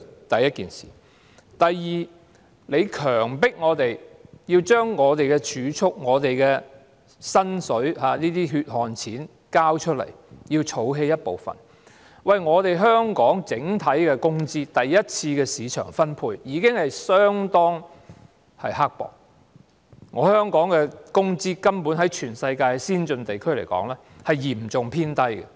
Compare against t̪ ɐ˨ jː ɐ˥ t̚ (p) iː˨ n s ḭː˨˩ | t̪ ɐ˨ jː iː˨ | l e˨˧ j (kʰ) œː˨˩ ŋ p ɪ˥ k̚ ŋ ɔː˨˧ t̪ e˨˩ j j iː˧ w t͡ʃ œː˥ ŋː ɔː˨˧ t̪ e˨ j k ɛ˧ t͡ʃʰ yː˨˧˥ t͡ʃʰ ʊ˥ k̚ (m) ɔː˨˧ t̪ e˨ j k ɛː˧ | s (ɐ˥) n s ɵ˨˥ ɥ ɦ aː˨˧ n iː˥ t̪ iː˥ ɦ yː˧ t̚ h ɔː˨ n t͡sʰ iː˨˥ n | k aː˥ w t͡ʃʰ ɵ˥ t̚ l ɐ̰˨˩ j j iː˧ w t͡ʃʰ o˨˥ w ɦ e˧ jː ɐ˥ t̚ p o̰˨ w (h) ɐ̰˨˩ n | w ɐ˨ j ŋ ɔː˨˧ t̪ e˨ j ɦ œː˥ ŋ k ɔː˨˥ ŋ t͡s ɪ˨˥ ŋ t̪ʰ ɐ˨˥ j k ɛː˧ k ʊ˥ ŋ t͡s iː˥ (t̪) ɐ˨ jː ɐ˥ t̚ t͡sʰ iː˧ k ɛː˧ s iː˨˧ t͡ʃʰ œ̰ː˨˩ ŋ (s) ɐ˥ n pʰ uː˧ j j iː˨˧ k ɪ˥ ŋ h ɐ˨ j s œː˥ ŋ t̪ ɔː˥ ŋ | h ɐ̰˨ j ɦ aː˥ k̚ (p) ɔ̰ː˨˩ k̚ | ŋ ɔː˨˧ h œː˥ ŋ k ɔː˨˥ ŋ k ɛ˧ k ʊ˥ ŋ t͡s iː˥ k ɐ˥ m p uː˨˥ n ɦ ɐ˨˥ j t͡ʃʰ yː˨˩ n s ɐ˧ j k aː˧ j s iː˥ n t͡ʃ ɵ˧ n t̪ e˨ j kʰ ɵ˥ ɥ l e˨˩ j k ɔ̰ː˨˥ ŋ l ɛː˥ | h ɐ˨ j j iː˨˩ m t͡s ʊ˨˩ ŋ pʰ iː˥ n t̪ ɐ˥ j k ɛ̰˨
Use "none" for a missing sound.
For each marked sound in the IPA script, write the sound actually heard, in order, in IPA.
k, kʰ, ŋ, ɐ˥, f, t̪, f, p

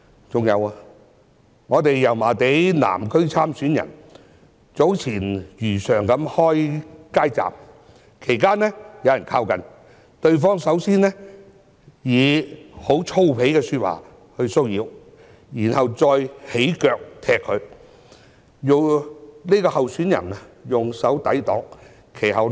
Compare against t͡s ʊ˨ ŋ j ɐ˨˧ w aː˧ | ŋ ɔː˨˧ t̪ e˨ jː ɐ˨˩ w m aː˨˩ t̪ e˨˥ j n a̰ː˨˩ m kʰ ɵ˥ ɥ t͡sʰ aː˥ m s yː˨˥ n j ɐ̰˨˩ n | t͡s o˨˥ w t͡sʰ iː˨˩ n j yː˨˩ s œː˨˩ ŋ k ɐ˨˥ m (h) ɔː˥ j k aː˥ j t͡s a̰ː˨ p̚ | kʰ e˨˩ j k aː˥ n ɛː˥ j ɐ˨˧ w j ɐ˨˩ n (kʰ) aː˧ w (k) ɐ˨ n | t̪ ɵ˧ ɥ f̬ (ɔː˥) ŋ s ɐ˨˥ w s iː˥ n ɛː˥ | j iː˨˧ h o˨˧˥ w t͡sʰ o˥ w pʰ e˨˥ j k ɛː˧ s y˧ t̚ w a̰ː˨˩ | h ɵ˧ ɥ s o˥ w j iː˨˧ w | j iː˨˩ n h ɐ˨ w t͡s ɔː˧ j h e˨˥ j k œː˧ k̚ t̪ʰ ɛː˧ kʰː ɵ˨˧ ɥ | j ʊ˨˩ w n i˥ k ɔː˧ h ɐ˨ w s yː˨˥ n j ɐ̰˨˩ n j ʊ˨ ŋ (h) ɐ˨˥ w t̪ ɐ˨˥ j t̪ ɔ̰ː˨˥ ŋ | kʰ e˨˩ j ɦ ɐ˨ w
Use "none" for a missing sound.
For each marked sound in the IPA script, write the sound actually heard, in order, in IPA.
h, kʰ, k, ɔː˥, s

